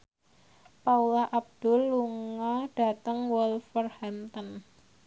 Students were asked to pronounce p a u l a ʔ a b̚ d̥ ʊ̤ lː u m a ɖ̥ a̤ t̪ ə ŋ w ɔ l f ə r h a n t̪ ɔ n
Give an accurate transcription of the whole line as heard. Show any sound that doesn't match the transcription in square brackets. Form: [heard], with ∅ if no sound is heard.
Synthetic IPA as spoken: p a u l a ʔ a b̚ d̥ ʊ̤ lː u [ŋ] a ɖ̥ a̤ t̪ ə ŋ w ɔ l f ə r h a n t̪ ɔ n